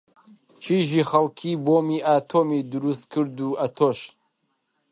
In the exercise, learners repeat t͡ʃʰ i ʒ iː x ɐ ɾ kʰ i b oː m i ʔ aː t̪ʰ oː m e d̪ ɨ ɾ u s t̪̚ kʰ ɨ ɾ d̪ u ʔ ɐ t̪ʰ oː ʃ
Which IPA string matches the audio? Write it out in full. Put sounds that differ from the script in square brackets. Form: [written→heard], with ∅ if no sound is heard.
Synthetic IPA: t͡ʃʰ i ʒ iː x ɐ [ɾ→l] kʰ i b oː m i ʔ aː t̪ʰ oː m [e→i] d̪ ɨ ɾ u s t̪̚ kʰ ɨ ɾ d̪ u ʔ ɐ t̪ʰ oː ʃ